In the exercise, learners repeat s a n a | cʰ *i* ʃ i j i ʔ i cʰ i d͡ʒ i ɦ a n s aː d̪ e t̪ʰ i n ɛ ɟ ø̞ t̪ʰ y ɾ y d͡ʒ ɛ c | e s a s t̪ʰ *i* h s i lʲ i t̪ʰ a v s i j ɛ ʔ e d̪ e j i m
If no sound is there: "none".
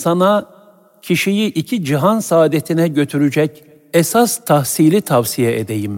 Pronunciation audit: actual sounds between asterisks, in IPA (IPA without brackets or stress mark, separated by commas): i, a